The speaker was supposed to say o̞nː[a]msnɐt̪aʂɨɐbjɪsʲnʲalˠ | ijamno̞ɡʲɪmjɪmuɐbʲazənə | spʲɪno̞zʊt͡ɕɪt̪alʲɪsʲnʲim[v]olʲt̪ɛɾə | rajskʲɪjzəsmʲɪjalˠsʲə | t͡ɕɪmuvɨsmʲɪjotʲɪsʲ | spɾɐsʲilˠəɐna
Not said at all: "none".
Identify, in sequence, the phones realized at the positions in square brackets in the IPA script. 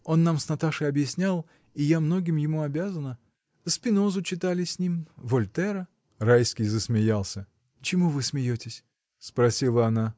a, v

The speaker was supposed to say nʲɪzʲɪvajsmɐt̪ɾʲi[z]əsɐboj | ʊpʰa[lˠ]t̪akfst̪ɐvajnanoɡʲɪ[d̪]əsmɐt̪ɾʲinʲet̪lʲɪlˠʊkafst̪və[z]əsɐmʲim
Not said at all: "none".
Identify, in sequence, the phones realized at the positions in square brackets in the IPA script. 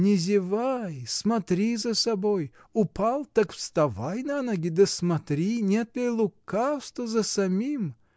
z, lˠ, d̪, z

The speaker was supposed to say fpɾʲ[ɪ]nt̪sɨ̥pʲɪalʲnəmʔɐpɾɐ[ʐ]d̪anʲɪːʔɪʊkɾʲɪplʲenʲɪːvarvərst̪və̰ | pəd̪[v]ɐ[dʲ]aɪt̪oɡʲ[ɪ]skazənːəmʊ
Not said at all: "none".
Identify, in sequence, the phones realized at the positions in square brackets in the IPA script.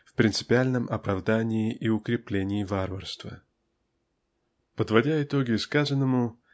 ɪ, v, v, dʲ, ɪ

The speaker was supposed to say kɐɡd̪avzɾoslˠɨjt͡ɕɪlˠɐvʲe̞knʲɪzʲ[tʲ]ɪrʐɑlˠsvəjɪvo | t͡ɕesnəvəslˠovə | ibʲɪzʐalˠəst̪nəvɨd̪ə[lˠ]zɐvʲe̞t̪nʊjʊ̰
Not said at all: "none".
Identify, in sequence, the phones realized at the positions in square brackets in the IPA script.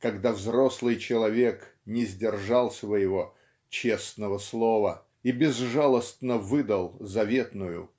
dʲ, lˠ

